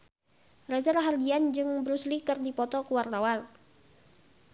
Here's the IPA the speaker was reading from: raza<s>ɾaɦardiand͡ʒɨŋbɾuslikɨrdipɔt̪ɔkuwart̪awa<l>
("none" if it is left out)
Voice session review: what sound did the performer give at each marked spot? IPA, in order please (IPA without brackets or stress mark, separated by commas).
none, l